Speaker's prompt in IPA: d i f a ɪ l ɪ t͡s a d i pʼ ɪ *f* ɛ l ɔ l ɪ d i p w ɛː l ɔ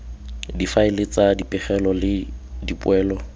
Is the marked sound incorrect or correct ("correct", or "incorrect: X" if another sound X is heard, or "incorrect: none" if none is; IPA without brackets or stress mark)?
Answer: incorrect: χ